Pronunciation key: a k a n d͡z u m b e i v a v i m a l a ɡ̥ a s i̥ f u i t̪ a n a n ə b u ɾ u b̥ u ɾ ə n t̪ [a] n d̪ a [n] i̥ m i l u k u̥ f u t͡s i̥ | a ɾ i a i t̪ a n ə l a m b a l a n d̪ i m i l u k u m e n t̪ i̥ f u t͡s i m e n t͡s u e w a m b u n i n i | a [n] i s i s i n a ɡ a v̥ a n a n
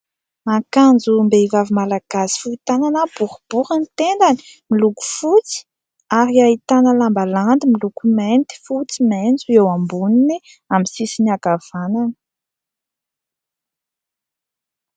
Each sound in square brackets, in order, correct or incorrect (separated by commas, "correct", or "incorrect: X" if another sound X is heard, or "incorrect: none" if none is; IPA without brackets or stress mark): incorrect: e, correct, incorrect: m